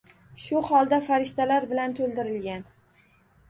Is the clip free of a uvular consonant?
yes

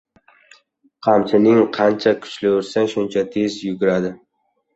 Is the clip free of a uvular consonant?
no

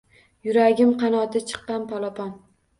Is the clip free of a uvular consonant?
no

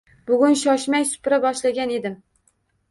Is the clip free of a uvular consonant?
yes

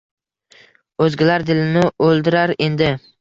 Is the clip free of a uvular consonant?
yes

